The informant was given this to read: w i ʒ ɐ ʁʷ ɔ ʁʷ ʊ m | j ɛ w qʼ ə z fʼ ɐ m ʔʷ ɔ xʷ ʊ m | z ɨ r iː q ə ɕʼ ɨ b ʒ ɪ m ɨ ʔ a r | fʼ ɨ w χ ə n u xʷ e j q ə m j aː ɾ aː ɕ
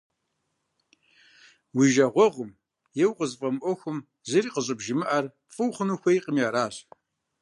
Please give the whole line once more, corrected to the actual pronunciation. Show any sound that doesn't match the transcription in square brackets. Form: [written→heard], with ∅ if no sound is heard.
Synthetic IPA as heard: w i ʒ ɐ ʁʷ ɔ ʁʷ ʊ m | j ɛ w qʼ ə z fʼ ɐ m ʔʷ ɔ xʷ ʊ m | z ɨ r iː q ə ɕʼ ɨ b ʒ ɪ m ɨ ʔ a r | fʼ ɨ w χ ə n u xʷ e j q ə m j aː ɾ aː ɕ